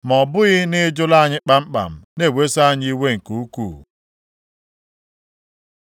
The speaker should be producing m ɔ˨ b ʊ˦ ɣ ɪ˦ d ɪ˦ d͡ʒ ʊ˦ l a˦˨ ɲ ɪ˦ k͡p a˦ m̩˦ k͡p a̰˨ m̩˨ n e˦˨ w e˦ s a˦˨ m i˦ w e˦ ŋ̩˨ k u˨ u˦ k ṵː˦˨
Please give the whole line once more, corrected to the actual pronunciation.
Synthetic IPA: m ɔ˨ b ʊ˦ ɣ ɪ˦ n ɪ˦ d͡ʒ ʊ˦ l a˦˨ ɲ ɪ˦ k͡p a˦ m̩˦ k͡p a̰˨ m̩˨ n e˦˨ w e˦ s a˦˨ ɲ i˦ w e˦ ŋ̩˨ k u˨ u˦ k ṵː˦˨